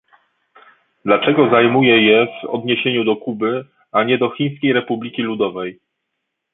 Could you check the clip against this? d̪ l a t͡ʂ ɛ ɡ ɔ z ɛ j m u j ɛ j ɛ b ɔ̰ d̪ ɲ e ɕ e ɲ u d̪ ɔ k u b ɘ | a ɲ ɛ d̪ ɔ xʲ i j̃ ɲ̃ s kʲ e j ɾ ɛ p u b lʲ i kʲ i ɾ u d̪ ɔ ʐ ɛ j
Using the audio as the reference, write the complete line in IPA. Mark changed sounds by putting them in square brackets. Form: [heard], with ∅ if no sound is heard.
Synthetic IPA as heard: d̪ l a t͡ʂ ɛ ɡ ɔ z [a] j m u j ɛ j ɛ [v] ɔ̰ d̪ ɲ e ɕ e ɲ u d̪ ɔ k u b ɘ | a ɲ ɛ d̪ ɔ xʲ i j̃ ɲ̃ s kʲ e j ɾ ɛ p u b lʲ i kʲ i [l] u d̪ ɔ [v] ɛ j